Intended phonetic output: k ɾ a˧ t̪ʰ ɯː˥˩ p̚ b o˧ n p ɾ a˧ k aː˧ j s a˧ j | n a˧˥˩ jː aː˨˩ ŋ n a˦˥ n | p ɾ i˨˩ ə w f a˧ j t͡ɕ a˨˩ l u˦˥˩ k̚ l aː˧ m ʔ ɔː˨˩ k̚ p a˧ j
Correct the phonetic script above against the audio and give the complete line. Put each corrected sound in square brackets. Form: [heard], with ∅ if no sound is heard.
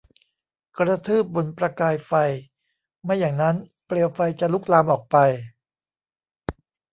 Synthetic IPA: k ɾ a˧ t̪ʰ ɯː˥˩ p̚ b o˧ n p ɾ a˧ k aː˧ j [f] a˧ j | [m] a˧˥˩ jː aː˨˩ ŋ n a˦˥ n | p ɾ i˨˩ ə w f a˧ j t͡ɕ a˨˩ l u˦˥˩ k̚ l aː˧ m ʔ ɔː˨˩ k̚ p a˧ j